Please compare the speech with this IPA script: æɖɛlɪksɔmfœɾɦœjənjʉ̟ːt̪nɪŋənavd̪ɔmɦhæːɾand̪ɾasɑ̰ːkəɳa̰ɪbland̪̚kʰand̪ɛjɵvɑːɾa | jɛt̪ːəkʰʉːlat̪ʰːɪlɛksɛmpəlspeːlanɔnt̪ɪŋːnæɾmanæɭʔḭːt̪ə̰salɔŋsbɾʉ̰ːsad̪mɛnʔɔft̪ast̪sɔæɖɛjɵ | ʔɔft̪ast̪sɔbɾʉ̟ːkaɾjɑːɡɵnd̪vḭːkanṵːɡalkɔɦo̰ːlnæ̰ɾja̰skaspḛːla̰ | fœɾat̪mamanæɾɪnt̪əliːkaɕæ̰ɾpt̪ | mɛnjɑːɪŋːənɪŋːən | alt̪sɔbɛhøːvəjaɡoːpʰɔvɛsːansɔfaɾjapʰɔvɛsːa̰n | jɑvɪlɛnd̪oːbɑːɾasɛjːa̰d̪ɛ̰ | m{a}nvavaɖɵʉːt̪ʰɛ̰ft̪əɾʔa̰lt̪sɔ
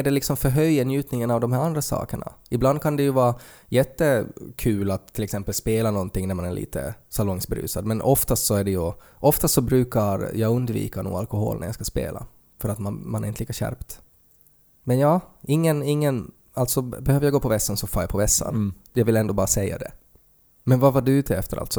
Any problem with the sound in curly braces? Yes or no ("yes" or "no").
yes